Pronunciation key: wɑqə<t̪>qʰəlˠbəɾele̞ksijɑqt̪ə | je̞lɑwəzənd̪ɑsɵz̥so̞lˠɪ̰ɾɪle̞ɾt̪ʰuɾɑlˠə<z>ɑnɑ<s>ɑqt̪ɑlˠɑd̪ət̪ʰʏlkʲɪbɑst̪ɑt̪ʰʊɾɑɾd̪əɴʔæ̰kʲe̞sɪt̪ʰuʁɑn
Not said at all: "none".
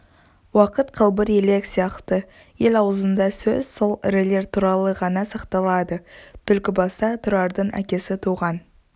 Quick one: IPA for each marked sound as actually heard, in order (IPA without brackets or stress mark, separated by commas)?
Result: t̪, ʁ, s